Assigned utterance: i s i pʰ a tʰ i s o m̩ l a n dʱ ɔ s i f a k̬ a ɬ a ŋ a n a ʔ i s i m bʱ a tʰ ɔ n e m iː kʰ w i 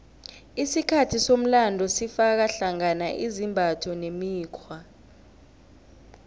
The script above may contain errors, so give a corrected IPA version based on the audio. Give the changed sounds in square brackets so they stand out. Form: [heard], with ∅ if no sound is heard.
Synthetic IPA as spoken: i s i [kʰ] a tʰ i s o m̩ l a n dʱ ɔ s i f a k̬ a ɬ a ŋ a n a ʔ i [z] i m bʱ a tʰ ɔ n e m iː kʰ w [a]